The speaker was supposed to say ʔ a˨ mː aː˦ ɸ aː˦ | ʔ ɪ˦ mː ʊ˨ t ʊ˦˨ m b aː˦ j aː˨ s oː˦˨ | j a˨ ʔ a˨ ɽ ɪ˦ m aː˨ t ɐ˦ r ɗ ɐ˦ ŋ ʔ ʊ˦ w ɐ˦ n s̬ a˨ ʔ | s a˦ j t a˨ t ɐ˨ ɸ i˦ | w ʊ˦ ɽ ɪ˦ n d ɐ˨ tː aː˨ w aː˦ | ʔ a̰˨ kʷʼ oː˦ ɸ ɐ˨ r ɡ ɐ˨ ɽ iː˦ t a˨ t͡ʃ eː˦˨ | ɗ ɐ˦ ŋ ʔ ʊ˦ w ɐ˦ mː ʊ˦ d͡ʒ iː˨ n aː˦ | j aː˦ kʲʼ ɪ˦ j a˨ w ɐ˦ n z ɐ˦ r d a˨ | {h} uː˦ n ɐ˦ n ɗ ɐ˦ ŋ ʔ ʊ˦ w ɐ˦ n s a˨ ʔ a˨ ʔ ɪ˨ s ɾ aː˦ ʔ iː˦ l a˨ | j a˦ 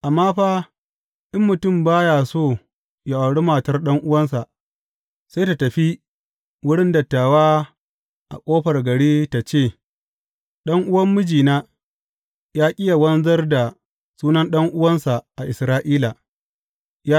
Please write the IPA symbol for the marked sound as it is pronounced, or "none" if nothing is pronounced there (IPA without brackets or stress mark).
s